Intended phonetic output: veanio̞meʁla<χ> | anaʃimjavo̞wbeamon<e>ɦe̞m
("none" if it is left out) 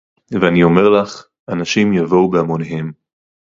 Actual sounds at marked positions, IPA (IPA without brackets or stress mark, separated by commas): χ, e